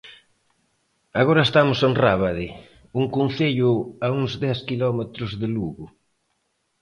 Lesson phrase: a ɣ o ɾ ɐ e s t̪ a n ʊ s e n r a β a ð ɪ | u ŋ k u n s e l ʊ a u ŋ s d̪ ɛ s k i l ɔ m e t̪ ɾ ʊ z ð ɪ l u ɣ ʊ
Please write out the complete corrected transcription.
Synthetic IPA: a ɣ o ɾ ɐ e s t̪ a m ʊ s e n r a β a ð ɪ | u ŋ k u n θ e ʎ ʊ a u ŋ z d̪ ɛ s k i l ɔ m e t̪ ɾ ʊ z ð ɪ l u ɣ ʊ